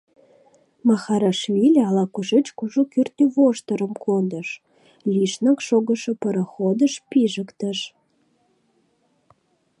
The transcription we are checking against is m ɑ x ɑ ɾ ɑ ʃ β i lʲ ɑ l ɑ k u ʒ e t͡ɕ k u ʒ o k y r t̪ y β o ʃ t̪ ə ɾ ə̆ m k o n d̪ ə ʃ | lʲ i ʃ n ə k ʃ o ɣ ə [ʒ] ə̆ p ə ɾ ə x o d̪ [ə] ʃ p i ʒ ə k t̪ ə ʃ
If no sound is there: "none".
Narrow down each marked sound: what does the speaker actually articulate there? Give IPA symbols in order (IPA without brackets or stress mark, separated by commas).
ʃ, ə